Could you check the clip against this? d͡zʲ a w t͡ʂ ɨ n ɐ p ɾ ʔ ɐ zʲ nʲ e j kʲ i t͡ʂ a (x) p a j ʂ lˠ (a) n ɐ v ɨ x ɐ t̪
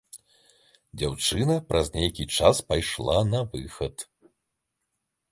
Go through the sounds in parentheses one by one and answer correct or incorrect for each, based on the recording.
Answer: incorrect: s, correct

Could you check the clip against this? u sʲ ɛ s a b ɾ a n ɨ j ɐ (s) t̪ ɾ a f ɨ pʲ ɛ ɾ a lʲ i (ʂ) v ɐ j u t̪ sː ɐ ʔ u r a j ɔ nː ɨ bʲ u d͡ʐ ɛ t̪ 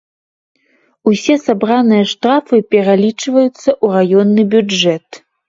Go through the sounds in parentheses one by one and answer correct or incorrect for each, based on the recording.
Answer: incorrect: ʂ, incorrect: t͡ʂ

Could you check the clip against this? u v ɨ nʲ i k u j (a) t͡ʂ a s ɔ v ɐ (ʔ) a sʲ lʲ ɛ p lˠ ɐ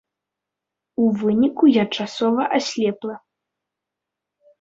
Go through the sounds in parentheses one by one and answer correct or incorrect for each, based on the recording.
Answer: correct, correct

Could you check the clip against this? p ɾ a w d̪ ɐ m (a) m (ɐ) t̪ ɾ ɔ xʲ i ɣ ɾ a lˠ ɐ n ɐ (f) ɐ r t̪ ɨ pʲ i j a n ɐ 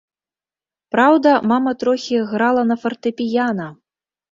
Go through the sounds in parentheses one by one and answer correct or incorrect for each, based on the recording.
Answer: correct, correct, correct

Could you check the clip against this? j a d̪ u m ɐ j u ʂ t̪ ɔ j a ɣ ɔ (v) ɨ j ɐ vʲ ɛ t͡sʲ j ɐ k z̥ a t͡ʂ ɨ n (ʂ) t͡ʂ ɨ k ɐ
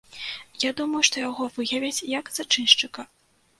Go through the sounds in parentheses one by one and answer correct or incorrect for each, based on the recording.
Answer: correct, correct

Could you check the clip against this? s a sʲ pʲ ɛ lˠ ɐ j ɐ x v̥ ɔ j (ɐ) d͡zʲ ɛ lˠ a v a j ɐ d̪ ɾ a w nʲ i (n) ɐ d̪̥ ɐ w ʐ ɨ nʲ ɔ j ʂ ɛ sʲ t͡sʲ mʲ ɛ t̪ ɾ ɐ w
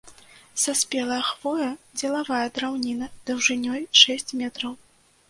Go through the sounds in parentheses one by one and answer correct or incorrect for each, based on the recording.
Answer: correct, correct

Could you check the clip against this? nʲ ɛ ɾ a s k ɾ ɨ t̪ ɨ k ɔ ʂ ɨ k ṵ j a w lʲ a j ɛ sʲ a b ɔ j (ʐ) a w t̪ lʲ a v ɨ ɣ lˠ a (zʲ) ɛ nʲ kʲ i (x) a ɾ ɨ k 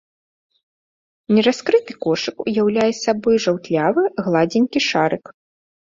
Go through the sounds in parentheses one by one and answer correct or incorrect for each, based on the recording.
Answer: correct, incorrect: d͡zʲ, incorrect: ʂ

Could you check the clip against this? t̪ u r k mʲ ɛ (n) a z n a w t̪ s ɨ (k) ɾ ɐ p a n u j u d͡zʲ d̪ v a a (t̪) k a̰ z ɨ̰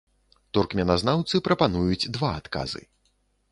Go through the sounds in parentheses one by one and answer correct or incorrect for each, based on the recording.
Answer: correct, incorrect: p, correct

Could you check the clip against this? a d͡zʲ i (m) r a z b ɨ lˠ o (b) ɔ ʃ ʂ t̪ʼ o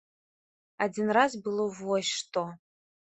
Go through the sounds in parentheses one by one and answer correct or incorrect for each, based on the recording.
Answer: incorrect: n, incorrect: v

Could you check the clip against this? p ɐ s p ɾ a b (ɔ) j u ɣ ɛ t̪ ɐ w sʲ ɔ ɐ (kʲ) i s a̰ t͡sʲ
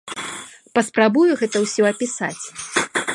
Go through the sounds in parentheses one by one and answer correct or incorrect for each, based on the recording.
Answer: incorrect: u, incorrect: pʲ

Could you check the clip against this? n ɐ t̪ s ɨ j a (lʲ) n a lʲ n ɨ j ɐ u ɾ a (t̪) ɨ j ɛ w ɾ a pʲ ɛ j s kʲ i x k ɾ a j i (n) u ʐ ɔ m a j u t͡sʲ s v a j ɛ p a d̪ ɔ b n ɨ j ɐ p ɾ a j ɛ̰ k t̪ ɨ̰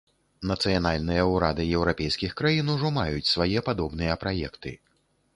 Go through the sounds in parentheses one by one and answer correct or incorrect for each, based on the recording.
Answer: incorrect: none, incorrect: d̪, correct

